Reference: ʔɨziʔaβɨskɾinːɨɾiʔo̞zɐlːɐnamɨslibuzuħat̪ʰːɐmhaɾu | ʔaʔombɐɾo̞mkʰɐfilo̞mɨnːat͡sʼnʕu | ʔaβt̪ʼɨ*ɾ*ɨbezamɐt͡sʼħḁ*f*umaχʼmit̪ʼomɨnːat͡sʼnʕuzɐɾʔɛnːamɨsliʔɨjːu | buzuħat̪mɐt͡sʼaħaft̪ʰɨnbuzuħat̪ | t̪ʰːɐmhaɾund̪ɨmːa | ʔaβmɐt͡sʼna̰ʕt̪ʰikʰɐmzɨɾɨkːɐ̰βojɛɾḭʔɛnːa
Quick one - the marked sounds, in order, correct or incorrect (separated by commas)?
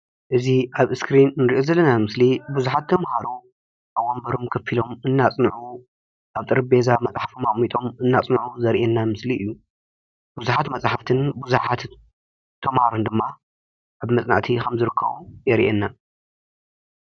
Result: correct, correct